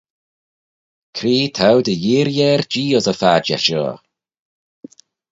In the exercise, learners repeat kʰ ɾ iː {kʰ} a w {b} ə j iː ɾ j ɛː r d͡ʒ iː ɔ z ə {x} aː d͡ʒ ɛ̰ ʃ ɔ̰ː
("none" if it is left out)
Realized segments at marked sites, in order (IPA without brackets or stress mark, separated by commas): tʰ, d, f